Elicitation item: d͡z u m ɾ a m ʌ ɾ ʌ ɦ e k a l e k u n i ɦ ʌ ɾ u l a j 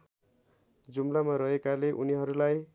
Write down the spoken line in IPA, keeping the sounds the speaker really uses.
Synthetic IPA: d͡z u m l a m a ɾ ʌ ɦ e k a l e ʔ u n i ɦ ʌ ɾ u l a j